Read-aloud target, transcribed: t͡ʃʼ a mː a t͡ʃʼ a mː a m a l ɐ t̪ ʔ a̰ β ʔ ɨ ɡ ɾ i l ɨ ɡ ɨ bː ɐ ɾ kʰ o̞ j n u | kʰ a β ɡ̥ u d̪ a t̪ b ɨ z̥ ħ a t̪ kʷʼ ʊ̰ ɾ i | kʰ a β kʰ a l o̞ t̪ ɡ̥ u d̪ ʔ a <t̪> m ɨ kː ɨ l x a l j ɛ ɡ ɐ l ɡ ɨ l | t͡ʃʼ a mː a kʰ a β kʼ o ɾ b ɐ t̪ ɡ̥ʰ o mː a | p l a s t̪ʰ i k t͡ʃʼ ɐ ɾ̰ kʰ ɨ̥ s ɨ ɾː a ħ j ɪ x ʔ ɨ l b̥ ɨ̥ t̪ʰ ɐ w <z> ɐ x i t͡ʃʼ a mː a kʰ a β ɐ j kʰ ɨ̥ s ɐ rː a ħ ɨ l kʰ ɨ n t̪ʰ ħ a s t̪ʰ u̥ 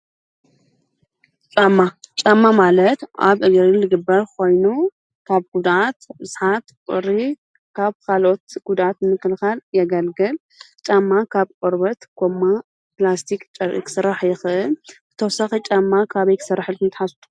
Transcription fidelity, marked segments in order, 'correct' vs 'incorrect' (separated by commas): correct, incorrect